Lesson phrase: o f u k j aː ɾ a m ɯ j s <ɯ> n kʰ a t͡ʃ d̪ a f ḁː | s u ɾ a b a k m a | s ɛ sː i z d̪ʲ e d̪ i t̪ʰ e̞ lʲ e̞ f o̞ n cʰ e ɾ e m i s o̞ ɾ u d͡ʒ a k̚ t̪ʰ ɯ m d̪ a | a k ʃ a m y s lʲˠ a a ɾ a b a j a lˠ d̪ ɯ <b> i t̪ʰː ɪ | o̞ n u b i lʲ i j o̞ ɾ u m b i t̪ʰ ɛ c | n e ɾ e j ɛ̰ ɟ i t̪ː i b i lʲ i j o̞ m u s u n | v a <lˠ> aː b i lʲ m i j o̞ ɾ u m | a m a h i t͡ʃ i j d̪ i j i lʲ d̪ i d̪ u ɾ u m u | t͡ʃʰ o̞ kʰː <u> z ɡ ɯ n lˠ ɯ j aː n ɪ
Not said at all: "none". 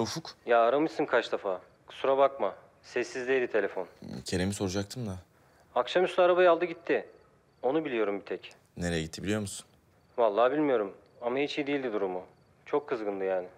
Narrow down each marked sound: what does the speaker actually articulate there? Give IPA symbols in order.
ɯ, ɟ, lˠː, ɯ

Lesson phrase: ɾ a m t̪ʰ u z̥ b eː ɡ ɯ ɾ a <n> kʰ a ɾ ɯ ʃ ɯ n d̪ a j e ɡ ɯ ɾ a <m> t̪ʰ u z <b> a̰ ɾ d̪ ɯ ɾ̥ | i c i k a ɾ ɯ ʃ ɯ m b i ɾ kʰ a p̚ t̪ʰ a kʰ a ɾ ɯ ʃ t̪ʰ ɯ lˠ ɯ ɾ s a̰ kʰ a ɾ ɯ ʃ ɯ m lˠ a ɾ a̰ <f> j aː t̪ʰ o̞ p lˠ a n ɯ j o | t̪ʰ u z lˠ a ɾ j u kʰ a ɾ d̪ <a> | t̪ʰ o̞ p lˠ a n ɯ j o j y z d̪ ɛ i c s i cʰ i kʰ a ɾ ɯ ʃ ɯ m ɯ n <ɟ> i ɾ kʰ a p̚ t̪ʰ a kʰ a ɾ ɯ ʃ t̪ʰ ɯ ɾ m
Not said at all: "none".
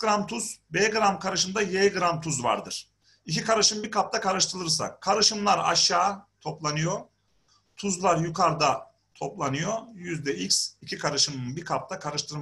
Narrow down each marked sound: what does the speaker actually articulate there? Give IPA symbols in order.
m, m, v, ʃ, a, b

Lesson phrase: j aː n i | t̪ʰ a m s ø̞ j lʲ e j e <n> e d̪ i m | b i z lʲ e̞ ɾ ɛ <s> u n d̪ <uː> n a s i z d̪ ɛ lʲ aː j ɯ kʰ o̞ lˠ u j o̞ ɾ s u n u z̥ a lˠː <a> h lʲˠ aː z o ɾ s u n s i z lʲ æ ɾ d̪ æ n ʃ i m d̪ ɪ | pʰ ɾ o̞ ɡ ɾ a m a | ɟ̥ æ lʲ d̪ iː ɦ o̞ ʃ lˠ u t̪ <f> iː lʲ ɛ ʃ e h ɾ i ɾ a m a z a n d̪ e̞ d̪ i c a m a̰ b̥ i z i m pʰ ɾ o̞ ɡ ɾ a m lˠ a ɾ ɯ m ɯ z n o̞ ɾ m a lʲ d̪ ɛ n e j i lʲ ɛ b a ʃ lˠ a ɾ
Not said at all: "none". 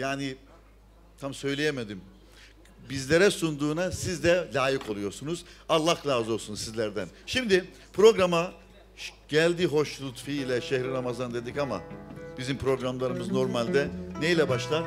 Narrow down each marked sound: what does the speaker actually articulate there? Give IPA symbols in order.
m, s, uː, a, f

